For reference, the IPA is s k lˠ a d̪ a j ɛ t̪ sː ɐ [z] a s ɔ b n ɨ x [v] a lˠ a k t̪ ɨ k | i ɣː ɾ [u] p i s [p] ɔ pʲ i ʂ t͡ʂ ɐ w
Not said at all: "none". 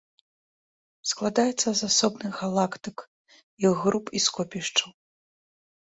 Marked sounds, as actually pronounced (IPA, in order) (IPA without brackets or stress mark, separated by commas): z, ɣ, u, k